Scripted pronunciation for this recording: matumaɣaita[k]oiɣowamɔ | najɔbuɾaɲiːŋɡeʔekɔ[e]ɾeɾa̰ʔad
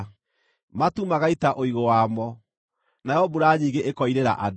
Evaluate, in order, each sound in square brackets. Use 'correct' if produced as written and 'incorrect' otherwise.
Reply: incorrect, incorrect

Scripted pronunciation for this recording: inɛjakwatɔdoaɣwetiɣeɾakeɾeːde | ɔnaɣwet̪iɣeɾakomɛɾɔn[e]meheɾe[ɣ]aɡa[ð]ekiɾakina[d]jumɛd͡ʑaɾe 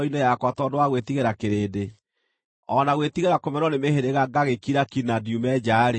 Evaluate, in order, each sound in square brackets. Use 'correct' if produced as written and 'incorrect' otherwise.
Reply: correct, correct, incorrect, correct

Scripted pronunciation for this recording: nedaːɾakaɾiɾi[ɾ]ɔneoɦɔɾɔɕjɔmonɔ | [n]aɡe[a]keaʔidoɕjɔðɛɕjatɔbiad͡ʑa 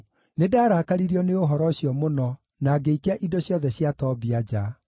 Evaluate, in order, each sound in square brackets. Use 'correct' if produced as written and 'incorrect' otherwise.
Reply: incorrect, correct, incorrect

